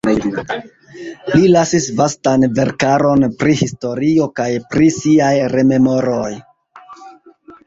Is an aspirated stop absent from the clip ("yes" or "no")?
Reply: yes